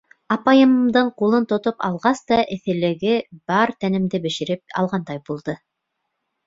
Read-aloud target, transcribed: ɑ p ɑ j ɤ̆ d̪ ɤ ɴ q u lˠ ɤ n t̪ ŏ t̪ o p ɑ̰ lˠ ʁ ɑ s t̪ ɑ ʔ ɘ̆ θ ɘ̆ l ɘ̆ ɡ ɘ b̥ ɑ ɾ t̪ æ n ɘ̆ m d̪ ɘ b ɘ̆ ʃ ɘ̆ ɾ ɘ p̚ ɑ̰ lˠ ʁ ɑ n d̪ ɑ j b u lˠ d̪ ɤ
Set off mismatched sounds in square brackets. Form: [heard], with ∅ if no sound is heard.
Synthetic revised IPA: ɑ p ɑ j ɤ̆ d̪ ɤ ɴ q u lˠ ɤ n t̪ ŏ t̪ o p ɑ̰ lˠ ʁ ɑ s t̪ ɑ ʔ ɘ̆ θ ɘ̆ l ɘ̆ ɡ ɘ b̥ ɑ ɾ t̪ æ n ɘ̆ m d̪ ɘ b ɘ̆ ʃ ɘ̆ ɾ ɘ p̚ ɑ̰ lˠ ʁ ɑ n d̪ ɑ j b u lˠ d̪ ɤ